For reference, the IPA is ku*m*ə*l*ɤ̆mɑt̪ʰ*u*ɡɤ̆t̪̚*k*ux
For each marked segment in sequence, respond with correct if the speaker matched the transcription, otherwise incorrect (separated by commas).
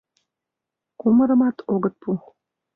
correct, incorrect, incorrect, incorrect